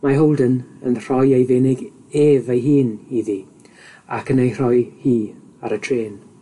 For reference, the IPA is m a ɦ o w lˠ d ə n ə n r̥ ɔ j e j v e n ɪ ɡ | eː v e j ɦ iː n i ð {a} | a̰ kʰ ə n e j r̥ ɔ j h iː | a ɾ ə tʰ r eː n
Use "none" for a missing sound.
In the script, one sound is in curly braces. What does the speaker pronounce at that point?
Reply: i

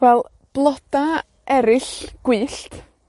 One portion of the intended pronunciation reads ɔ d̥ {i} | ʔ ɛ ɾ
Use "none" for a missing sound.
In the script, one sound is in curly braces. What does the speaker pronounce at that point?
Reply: a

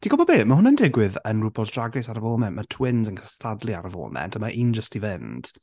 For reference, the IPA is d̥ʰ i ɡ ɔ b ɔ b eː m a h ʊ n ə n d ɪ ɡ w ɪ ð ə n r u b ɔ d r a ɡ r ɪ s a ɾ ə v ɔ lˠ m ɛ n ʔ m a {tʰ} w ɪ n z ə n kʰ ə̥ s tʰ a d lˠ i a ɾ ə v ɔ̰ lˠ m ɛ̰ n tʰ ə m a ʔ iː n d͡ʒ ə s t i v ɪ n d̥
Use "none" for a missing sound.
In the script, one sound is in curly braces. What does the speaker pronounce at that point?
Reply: tʰ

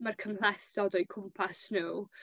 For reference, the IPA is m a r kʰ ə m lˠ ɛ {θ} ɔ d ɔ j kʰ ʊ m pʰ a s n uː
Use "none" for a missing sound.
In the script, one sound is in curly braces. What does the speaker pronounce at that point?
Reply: θ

